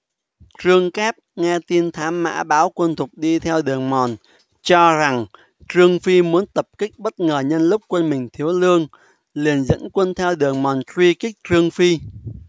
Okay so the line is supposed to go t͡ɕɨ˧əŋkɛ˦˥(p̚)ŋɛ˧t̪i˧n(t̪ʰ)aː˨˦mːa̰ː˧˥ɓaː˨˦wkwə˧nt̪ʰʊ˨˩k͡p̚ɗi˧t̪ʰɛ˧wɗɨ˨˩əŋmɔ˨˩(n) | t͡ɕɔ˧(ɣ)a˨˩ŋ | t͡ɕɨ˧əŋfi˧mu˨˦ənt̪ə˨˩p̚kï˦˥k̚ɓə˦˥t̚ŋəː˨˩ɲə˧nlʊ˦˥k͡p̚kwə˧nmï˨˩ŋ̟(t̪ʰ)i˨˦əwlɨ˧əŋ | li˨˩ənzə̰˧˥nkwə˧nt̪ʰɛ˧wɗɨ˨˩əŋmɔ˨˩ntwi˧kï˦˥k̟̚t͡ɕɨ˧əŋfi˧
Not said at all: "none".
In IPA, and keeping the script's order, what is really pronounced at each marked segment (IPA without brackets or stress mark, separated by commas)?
p̚, t̪ʰ, n, z, t̪ʰ